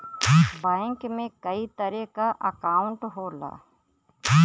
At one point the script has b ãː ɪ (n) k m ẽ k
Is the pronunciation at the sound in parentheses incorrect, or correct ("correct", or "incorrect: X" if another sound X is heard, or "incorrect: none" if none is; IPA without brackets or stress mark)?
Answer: incorrect: ŋ